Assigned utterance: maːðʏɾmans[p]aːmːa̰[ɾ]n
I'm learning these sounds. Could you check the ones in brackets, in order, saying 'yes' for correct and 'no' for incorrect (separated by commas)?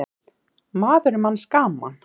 no, no